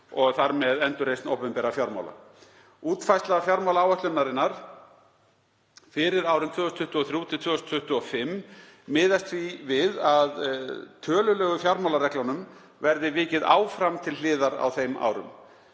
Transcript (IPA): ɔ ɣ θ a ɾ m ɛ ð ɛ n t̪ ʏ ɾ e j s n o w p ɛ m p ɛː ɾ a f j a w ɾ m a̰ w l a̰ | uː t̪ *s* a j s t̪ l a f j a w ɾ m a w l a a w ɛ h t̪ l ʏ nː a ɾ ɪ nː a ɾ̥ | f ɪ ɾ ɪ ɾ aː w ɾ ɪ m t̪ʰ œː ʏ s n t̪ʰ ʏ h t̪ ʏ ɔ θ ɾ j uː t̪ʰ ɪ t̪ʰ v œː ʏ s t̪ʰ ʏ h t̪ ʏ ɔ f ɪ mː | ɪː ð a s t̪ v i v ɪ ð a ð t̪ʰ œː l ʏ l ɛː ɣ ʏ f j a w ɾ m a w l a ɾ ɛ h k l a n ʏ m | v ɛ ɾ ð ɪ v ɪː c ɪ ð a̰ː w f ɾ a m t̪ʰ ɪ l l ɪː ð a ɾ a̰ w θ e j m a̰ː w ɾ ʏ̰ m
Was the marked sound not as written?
yes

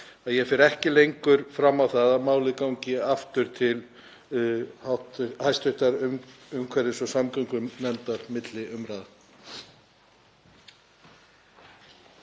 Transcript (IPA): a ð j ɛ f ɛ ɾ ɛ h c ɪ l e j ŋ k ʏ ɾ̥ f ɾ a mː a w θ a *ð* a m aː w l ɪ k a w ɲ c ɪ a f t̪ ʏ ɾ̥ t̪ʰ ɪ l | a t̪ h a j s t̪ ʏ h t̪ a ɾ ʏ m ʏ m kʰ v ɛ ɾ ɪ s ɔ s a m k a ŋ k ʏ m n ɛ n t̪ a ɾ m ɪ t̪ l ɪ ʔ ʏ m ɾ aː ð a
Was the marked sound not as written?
no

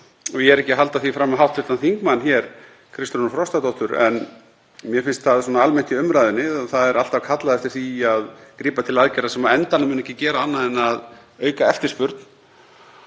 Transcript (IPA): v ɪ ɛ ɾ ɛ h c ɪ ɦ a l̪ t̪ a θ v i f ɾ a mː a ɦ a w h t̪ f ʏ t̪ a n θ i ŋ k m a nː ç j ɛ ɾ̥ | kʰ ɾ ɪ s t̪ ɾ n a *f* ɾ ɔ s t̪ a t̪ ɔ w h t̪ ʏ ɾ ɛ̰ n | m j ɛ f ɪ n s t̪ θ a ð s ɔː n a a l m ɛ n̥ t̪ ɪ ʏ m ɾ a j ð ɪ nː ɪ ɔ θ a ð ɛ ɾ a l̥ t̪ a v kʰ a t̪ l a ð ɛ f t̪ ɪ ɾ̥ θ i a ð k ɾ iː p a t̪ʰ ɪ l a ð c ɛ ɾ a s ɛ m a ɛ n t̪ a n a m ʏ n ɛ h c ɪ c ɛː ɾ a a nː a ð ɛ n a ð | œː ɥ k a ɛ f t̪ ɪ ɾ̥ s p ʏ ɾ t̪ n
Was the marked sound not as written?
no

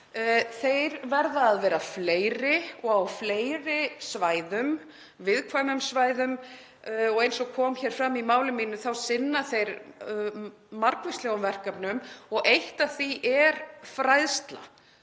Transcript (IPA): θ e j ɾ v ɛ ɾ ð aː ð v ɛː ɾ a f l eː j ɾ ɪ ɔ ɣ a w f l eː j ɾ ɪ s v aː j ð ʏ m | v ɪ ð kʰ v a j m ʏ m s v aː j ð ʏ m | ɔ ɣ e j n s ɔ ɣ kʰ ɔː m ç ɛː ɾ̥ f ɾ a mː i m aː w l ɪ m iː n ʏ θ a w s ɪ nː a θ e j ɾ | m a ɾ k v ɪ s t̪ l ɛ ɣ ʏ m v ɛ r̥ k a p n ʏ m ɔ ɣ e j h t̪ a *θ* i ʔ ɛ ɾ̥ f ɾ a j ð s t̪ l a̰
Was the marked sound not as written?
no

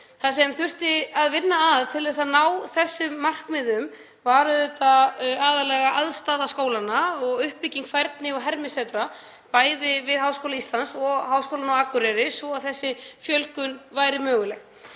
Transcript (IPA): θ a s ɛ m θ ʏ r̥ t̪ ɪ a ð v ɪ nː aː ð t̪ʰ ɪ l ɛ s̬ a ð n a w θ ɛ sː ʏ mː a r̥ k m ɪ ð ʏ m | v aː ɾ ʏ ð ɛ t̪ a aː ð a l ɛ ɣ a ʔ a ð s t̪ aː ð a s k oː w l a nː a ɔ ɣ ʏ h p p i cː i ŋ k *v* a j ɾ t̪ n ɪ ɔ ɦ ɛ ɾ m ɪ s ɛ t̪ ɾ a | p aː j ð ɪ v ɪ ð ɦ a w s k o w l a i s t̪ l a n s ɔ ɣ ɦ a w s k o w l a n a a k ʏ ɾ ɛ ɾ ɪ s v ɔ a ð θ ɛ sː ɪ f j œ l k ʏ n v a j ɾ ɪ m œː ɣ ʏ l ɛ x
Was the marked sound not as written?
yes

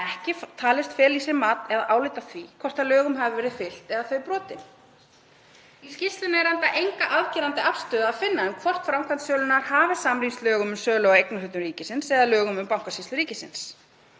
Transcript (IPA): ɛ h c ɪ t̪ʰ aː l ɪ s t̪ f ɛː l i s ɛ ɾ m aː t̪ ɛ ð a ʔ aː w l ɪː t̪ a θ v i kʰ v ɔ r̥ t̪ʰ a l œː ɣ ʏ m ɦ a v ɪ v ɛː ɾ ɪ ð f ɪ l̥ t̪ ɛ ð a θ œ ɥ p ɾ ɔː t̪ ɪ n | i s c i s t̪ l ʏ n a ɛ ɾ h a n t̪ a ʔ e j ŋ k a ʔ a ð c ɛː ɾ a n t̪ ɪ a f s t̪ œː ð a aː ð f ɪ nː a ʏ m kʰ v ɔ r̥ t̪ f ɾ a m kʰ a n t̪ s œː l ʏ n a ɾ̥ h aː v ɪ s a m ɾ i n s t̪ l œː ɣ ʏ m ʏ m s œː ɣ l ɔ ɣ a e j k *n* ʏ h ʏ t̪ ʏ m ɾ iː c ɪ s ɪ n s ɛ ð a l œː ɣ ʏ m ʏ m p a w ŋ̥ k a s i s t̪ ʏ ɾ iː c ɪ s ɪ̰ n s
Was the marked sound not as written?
no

